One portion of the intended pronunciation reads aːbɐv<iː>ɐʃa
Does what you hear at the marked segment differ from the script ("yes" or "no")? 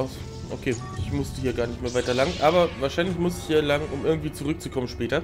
yes